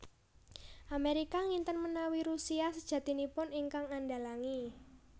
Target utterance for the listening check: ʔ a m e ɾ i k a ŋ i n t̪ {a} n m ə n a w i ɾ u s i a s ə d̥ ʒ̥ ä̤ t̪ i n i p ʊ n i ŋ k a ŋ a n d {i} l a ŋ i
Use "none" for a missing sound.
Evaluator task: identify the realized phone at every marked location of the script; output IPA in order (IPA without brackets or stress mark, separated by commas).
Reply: ə, a